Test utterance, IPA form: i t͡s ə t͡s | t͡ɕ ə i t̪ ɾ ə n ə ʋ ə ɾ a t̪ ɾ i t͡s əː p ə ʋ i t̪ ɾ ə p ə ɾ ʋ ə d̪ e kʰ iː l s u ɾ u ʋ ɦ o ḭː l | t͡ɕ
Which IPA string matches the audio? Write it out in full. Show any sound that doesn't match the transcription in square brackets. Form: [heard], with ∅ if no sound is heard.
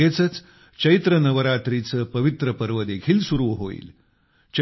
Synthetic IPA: [e] t͡s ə t͡s | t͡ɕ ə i t̪ ɾ ə n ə ʋ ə ɾ a t̪ ɾ i t͡s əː p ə ʋ i t̪ ɾ ə p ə ɾ ʋ ə d̪ e kʰ iː l s u ɾ u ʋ ɦ o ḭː l | t͡ɕ